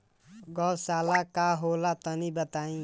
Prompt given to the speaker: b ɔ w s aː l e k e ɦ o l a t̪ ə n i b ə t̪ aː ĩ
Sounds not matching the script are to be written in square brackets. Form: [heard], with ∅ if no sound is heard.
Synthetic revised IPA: [ɡ] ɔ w s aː l [a] k [a] ɦ o l a t̪ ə n i b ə t̪ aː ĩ